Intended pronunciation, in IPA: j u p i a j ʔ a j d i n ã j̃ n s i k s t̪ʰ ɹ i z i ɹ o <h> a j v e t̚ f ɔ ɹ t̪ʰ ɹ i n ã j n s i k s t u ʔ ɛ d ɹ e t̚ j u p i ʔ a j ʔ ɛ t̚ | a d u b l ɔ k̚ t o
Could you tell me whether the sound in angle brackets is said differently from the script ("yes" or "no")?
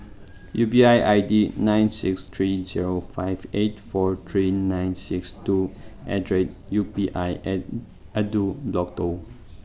yes